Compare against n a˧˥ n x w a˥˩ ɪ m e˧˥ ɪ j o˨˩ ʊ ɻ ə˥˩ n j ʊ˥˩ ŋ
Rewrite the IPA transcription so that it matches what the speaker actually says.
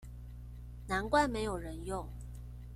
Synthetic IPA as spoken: n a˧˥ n k w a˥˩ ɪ m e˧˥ ɪ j o˨˩ ʊ ɻ ə˧˦ n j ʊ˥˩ ŋ